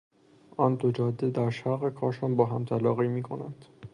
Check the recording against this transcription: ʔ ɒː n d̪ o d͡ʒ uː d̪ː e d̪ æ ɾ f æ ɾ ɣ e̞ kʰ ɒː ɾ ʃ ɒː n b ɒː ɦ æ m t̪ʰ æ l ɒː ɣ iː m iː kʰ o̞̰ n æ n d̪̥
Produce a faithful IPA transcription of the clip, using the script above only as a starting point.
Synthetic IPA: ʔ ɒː n d̪ o d͡ʒ ɒː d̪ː e d̪ æ ɾ ʃ æ ɾ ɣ e̞ kʰ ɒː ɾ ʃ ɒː n b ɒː ɦ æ m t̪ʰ æ l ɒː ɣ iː m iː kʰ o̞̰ n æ n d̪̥